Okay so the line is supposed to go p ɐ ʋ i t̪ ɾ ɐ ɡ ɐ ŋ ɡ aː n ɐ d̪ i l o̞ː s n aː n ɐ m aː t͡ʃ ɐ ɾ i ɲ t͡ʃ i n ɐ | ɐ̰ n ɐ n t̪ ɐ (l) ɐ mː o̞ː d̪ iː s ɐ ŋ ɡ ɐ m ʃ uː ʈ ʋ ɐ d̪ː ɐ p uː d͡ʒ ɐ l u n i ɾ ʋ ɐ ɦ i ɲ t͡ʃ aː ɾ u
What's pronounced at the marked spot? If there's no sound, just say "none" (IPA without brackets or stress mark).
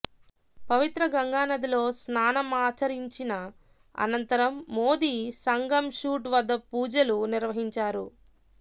ɾ